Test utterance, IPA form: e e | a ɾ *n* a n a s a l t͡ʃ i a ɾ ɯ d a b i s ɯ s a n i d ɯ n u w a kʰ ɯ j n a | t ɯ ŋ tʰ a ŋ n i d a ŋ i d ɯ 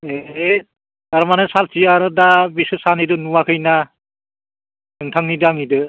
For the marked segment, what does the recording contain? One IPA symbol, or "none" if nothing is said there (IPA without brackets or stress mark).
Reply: m